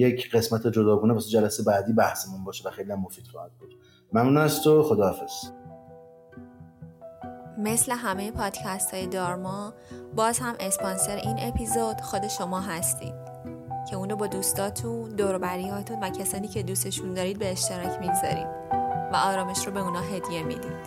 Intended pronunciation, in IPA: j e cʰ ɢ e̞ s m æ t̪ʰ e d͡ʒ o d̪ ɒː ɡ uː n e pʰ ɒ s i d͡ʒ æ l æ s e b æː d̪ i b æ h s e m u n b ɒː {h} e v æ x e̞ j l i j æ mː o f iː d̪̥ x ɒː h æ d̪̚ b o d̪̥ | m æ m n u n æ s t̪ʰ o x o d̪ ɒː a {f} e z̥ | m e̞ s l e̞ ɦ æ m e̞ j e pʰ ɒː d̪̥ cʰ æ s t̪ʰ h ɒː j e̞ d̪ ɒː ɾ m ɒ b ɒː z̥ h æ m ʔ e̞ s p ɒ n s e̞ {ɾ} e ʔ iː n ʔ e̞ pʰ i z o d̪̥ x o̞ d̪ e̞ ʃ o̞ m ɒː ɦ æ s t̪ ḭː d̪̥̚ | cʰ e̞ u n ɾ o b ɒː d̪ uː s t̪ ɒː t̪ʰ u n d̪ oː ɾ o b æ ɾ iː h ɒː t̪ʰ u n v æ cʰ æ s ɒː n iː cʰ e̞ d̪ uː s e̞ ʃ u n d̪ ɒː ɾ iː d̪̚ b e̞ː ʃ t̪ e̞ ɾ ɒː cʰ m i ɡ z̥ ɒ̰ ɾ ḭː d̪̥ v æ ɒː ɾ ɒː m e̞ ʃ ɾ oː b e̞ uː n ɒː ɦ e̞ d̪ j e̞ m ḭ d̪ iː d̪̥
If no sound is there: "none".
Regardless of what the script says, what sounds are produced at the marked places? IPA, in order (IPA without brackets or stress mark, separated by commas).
ʃ, f, ɾ